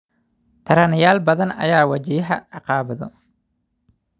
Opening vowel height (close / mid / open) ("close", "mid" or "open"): open